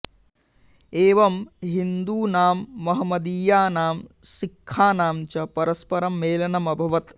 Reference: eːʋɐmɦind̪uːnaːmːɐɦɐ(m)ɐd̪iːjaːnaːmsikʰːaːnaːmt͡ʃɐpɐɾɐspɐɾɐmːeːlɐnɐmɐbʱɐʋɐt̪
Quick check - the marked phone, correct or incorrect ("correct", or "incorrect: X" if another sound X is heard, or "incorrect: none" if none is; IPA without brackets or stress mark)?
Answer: correct